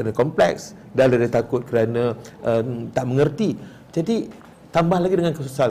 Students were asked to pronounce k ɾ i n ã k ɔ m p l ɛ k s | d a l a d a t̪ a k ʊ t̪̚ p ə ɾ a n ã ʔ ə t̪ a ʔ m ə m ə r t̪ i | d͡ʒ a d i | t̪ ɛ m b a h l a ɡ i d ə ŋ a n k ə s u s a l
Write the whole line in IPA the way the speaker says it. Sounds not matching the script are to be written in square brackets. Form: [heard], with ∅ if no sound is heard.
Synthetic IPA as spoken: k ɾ [a] n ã k ɔ m p l ɛ k s | d a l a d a t̪ a k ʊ t̪̚ [k] ə ɾ a n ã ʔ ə t̪ a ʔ m ə [ŋ] ə r t̪ i | d͡ʒ a d i | t̪ [a] m b a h l a ɡ i d ə ŋ a n k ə s u s a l